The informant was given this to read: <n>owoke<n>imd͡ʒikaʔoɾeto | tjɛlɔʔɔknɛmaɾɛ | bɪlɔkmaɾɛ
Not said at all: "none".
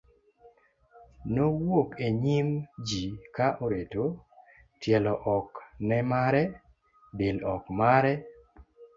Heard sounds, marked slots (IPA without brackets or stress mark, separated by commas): n, ɲ